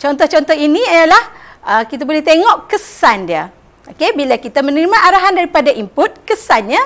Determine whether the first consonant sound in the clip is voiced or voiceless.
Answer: voiceless